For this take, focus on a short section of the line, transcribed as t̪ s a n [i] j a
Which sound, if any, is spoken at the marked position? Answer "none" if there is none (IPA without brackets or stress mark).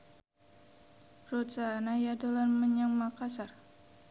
a